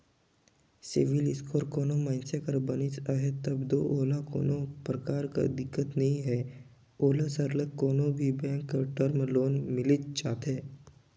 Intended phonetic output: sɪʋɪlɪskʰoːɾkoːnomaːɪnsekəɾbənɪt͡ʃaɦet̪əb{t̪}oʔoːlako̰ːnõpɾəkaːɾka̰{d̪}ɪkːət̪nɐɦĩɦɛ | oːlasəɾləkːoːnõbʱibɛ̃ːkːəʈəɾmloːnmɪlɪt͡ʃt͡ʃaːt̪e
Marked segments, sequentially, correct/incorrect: incorrect: d̪, correct

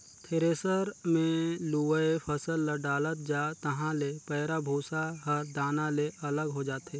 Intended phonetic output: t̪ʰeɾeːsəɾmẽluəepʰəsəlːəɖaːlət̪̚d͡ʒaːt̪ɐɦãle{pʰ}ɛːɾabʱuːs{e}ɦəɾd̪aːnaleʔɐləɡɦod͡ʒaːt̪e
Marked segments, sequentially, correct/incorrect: incorrect: p, incorrect: a

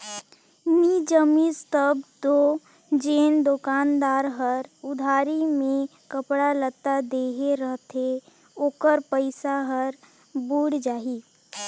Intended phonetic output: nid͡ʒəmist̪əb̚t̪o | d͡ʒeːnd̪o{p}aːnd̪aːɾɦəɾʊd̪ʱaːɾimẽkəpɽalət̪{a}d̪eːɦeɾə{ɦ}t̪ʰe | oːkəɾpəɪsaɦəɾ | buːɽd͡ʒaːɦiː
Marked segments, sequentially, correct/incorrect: incorrect: k, correct, correct

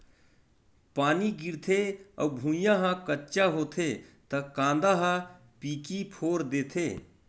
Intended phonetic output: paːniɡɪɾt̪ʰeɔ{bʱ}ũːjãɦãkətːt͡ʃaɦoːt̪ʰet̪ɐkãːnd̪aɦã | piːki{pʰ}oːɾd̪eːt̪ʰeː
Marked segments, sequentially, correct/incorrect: correct, correct

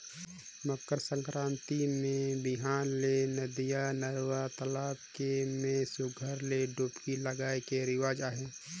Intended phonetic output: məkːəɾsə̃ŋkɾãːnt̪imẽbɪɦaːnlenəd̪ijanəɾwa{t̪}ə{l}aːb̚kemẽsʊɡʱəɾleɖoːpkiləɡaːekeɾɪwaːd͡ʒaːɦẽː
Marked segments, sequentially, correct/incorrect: correct, correct

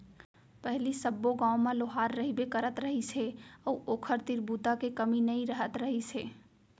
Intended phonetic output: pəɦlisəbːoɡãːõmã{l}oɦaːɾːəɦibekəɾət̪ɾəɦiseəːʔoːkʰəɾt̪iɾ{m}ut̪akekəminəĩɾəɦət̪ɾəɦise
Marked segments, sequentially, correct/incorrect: correct, incorrect: b

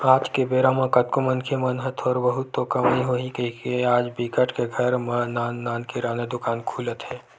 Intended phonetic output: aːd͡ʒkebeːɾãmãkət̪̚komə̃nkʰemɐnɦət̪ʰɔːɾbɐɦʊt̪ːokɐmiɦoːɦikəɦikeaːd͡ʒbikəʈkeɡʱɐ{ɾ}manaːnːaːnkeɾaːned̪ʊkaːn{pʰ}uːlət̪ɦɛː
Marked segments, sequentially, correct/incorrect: correct, incorrect: kʰ

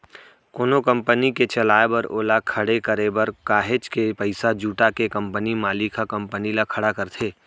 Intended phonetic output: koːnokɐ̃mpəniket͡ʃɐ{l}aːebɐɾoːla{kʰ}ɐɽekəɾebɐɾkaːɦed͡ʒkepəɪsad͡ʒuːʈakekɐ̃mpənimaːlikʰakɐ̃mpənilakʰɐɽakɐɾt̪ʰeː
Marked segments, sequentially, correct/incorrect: correct, correct

